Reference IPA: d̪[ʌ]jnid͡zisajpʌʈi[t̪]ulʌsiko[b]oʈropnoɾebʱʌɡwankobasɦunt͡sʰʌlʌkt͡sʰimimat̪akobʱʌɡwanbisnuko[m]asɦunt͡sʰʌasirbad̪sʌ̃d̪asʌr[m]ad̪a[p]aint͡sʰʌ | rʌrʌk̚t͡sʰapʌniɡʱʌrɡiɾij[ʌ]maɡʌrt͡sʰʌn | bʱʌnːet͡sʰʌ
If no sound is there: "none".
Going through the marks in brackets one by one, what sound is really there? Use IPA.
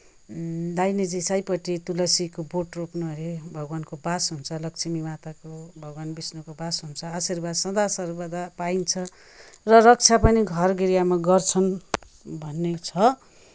a, t̪, b, b, b, p, a

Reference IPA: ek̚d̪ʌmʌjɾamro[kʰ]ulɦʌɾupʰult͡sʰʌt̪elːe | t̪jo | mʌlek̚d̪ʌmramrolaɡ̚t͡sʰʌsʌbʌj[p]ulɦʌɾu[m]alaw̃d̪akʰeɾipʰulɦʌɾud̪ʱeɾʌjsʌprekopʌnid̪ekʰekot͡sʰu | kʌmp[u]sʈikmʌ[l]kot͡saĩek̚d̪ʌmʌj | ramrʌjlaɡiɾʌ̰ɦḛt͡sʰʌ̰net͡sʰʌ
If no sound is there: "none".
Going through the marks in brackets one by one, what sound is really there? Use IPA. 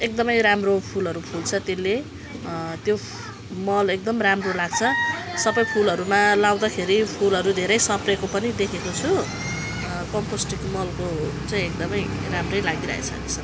pʰ, pʰ, m, o, l

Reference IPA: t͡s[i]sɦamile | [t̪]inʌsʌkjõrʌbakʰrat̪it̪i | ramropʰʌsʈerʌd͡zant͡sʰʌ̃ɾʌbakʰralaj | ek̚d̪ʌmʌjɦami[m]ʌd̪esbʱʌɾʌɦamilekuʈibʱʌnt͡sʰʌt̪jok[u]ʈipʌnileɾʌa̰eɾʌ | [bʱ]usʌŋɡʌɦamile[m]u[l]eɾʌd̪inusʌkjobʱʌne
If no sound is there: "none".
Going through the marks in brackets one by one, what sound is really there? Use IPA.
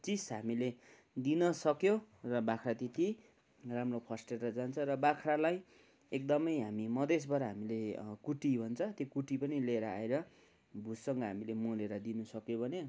i, d̪, m, u, bʱ, m, l

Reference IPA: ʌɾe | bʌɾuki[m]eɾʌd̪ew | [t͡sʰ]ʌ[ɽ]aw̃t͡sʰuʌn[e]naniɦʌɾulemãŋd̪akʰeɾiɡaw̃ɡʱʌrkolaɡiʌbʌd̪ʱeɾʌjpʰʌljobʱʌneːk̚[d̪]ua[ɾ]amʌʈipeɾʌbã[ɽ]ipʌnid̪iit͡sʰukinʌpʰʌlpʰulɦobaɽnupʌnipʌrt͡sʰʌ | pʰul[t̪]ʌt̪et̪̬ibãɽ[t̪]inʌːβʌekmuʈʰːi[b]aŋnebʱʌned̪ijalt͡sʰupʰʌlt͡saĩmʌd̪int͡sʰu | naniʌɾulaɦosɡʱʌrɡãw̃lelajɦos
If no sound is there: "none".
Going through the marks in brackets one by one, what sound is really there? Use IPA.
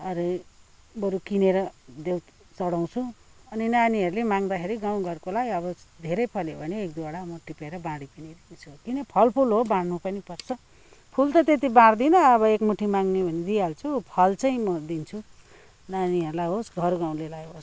n, t͡s, ɽ, i, d̪, ɽ, ɽ, t̪, d̪, m

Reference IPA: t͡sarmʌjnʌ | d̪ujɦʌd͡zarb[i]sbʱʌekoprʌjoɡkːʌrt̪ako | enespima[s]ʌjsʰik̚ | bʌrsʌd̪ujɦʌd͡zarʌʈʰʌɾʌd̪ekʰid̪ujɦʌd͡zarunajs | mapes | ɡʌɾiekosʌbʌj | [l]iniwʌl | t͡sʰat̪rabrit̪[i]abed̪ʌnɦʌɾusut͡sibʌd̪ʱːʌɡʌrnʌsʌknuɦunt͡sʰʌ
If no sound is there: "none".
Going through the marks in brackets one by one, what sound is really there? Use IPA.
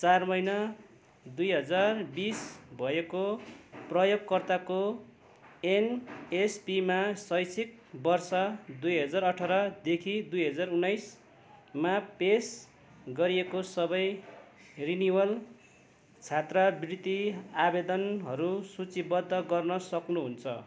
i, s, r, i

